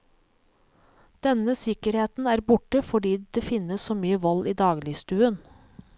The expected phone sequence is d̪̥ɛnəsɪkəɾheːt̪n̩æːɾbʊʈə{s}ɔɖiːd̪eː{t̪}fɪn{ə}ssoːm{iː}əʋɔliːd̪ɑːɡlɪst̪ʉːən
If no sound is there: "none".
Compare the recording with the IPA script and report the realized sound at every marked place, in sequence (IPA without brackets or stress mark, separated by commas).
f, none, ə, yː